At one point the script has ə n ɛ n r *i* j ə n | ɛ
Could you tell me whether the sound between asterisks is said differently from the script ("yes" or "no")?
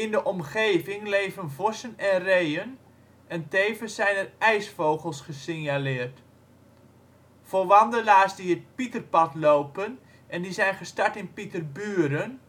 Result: yes